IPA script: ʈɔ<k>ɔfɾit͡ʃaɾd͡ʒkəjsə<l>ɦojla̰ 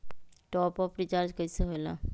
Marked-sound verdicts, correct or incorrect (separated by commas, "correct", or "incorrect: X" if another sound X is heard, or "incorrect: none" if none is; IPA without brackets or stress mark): incorrect: p, incorrect: none